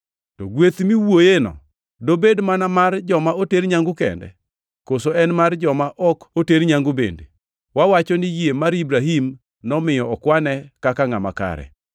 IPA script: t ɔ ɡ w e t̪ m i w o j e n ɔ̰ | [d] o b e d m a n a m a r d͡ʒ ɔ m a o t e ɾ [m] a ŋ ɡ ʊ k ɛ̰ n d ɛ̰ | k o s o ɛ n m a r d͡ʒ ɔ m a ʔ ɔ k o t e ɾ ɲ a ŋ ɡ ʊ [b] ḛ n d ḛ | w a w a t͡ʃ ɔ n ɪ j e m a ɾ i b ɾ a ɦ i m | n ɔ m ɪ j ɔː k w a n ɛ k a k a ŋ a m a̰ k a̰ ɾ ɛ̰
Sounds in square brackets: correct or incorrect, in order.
correct, incorrect: ɲ, correct

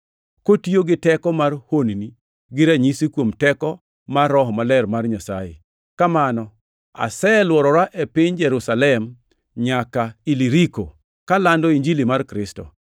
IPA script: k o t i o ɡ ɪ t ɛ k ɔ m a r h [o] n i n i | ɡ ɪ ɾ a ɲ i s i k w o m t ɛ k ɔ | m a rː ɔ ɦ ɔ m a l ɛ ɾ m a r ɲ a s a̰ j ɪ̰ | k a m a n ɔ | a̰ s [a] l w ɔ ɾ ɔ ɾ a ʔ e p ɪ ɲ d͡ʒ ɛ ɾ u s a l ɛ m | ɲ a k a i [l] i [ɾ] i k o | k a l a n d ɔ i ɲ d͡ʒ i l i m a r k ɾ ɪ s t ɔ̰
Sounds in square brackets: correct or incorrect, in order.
correct, incorrect: ɛ, correct, correct

